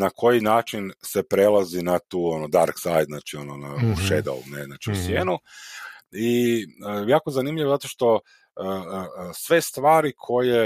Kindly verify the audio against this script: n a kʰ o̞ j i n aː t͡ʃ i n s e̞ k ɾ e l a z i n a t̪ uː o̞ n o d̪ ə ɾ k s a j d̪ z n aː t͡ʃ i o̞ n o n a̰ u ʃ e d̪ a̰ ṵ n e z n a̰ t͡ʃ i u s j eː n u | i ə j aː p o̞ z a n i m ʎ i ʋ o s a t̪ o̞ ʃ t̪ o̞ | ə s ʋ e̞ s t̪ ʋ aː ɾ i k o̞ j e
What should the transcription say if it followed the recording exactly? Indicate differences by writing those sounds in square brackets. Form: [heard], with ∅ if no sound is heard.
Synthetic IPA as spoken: n a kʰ o̞ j i n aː t͡ʃ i n s e̞ [p] ɾ e l a z i n a t̪ uː o̞ n o d̪ [a] ɾ k s a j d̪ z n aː t͡ʃ i o̞ n o n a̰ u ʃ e d̪ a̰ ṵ n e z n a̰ t͡ʃ i u s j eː n u | i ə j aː [k] o̞ z a n i m ʎ i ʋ o [z] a t̪ o̞ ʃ t̪ o̞ | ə s ʋ e̞ s t̪ ʋ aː ɾ i [kʰ] o̞ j e